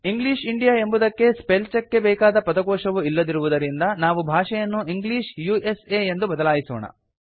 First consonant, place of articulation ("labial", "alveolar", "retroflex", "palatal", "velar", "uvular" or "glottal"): velar